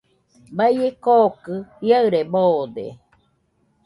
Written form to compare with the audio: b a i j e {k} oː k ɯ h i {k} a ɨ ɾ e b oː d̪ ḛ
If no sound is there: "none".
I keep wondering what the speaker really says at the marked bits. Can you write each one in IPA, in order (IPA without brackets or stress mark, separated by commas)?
k, none